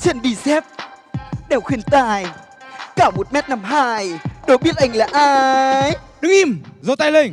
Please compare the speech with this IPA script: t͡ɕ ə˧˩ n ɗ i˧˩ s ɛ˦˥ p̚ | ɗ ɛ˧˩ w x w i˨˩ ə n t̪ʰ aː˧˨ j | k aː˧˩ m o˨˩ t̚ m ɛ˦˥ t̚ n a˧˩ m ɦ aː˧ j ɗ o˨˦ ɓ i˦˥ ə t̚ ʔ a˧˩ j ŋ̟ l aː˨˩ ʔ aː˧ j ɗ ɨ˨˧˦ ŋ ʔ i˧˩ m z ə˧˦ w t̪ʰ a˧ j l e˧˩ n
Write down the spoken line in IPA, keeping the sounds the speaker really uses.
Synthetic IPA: t͡ɕ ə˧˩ n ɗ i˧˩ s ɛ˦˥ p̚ | ɗ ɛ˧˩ w x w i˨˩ ə n t̪ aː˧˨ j | k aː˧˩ m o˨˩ t̚ m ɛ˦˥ t̚ n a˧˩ m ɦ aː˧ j ɗ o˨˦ ɓ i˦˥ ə t̚ ʔ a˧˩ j ŋ̟ l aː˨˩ ʔ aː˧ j ɗ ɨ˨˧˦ ŋ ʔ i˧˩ m z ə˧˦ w t̪ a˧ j l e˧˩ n

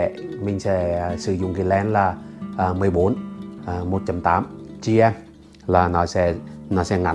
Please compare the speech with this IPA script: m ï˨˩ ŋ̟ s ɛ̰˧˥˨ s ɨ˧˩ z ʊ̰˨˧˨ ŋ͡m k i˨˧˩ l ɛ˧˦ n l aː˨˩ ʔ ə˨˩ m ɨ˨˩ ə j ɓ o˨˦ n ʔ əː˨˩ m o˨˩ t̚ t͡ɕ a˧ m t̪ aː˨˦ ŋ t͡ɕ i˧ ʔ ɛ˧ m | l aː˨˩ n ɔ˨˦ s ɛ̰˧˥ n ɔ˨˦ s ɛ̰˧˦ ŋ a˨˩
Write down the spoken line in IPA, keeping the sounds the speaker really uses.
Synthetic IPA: m ï˨˩ ŋ̟ s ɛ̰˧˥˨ s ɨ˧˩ z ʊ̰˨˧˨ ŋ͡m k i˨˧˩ l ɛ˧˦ n l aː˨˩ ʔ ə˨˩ m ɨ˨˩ ə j ɓ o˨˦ n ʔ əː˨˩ m o˨˩ t̚ t͡ɕ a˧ m t̪ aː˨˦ m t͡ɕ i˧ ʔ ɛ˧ m | l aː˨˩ n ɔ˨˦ s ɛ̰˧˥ n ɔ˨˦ s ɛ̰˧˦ ŋ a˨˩

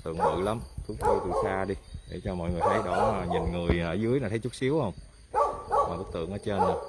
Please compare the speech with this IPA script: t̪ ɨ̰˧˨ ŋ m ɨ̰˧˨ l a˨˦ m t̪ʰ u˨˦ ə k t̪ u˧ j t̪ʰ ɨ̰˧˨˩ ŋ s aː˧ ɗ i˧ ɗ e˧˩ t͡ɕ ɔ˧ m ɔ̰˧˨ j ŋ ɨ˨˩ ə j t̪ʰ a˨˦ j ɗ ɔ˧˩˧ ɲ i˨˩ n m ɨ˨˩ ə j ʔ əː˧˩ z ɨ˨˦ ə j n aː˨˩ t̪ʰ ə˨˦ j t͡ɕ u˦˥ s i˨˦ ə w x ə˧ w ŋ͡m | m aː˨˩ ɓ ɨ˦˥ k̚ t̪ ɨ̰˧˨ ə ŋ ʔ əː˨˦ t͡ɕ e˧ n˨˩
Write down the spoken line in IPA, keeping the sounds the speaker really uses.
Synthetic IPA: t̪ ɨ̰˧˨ ŋ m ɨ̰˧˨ l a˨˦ m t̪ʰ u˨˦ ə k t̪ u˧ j t̪ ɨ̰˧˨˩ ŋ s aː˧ ɗ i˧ ɗ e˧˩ t͡ɕ ɔ˧ m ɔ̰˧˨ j ŋ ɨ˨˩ ə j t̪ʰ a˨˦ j ɗ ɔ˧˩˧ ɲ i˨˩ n ŋ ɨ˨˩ ə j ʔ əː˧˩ z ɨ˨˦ ə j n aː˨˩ t̪ʰ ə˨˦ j t͡ɕ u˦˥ s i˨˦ ə w h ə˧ w ŋ͡m | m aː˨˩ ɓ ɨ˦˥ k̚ t̪ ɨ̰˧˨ ə ŋ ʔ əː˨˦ t͡ɕ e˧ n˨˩

